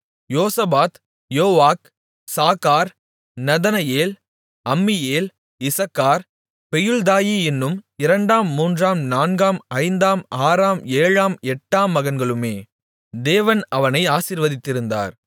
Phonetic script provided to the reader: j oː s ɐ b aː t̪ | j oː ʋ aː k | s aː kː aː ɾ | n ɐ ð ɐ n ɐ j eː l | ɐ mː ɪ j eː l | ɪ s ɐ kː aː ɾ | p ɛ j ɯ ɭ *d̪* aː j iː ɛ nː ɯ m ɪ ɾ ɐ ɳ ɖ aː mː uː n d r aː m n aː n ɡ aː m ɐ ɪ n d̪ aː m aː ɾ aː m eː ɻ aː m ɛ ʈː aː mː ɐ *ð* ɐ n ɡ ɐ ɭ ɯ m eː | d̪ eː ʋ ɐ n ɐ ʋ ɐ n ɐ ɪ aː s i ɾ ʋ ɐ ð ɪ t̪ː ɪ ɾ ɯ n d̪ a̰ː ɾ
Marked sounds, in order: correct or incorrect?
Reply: correct, incorrect

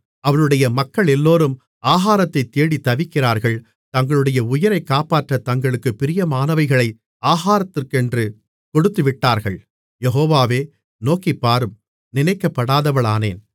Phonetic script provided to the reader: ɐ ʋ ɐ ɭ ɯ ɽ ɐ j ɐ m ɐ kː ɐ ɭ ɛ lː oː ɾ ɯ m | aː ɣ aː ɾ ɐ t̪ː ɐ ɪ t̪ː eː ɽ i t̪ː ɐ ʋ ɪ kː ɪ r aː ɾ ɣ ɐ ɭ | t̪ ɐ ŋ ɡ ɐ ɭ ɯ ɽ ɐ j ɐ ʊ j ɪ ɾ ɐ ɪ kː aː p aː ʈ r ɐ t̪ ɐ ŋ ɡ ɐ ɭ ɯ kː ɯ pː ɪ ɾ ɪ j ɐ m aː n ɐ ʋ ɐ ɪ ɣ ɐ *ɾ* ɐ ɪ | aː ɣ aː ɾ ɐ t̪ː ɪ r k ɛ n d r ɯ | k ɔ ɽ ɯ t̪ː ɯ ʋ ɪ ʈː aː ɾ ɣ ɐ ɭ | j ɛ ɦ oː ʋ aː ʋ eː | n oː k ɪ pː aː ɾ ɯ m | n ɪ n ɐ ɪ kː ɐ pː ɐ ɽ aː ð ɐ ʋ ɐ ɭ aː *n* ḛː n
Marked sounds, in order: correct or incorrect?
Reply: incorrect, correct

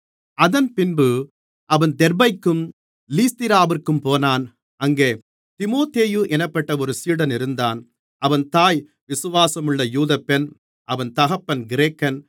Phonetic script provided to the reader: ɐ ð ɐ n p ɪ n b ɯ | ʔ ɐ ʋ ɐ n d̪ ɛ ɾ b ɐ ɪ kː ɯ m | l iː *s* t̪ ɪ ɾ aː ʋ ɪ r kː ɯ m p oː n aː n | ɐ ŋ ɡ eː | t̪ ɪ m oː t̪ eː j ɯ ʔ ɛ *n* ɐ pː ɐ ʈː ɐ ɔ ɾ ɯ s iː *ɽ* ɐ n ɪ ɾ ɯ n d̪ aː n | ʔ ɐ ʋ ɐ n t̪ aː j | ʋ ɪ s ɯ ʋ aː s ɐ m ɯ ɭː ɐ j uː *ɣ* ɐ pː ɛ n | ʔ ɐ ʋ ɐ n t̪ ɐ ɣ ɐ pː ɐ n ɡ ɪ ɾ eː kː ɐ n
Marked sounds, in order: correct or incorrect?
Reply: correct, correct, correct, incorrect

